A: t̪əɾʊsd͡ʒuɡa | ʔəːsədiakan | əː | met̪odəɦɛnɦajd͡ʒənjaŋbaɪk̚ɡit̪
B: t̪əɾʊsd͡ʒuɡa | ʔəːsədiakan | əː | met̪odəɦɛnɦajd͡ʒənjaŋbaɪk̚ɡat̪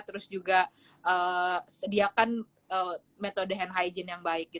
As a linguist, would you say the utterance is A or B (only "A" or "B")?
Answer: A